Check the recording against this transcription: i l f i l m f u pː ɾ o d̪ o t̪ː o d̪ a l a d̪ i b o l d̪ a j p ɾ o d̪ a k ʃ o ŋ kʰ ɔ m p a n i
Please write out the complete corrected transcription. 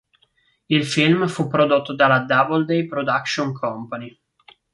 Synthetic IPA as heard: i l f i l m f u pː ɾ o d̪ o t̪ː o d̪ a l a d̪ a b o l d̪ e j p ɾ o d̪ a k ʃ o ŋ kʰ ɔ m p a n i